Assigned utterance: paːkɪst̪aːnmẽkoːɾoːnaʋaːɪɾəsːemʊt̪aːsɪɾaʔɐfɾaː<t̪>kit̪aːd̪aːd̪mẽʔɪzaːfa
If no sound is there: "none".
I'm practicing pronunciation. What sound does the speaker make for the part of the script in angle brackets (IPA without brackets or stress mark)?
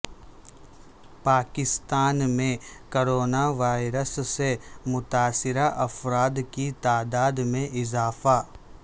d̪